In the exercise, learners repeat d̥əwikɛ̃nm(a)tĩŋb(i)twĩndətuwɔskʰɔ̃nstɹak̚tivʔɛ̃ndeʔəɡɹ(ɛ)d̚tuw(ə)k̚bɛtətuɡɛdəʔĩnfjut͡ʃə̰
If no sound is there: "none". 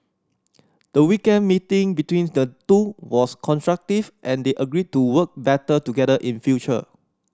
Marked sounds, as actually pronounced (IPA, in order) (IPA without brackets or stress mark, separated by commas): i, i, i, ə